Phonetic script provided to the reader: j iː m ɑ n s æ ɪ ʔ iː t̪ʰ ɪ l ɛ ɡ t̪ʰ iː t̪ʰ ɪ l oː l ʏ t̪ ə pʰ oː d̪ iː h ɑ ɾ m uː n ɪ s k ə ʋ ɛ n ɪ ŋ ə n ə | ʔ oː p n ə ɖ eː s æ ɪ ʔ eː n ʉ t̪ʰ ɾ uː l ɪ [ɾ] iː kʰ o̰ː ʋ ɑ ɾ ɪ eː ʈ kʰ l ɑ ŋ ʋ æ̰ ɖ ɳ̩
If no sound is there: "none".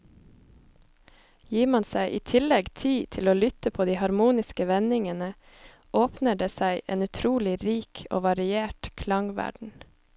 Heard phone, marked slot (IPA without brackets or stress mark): ɾ